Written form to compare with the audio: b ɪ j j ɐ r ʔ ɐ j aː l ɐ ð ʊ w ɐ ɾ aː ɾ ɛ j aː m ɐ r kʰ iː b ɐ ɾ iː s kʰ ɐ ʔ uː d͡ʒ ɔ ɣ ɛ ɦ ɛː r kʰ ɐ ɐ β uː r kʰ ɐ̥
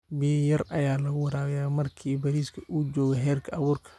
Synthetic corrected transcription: b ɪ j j ɐ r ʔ ɐ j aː l ɐ ɣ ʊ w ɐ ɾ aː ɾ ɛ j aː m ɐ r kʰ iː b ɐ ɾ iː s kʰ ɐ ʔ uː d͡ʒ ɔː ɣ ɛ ɦ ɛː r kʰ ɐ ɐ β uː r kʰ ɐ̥